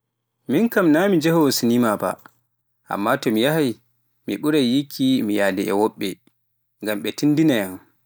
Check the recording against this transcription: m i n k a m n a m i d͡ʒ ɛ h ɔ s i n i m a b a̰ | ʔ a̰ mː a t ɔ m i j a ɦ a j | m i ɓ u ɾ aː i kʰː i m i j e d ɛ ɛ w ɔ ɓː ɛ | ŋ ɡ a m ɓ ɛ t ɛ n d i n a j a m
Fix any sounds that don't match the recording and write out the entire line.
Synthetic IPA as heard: m i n k a m n a m i d͡ʒ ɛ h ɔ s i n i m a b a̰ | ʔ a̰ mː a t ɔ m i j a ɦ a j | m i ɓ u ɾ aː i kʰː i m i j a d ɛ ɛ w ɔ ɓː ɛ | ŋ ɡ a m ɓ ɛ t i n d i n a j a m